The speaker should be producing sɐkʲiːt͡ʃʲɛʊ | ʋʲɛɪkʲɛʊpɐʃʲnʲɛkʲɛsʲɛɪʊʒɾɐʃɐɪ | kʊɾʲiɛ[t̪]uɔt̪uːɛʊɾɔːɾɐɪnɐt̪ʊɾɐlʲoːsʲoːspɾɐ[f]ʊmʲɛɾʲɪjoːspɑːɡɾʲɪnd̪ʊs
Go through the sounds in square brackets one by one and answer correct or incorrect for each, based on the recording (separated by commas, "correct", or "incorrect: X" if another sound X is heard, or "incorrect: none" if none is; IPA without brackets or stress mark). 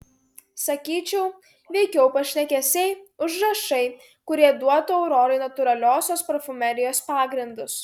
incorrect: d̪, correct